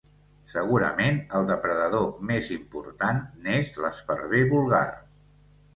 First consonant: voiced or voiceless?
voiceless